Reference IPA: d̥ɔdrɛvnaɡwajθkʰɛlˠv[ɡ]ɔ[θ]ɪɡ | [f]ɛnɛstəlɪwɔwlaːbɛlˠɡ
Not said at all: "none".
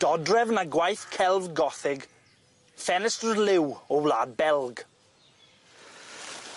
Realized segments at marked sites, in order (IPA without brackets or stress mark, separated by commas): ɡ, θ, f